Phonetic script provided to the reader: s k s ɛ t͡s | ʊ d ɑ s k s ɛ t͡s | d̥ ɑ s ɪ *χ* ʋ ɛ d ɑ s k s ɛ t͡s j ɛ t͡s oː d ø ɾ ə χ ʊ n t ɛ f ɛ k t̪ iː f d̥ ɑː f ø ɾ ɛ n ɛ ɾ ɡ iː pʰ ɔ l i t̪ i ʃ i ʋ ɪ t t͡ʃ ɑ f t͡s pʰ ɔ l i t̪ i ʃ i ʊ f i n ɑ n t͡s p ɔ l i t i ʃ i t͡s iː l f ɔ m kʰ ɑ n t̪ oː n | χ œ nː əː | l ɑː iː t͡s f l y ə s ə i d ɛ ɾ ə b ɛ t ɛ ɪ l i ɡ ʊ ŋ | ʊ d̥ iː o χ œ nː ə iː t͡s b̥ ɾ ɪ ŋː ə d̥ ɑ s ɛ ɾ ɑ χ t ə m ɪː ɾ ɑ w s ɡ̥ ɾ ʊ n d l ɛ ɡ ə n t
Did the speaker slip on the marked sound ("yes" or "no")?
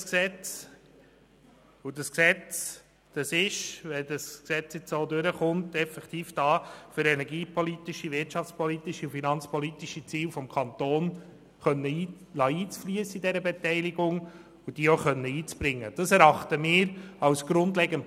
yes